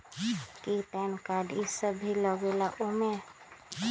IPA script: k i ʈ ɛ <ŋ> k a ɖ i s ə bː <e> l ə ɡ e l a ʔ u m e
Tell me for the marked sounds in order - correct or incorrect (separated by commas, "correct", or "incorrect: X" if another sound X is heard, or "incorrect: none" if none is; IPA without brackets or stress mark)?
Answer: incorrect: n, incorrect: i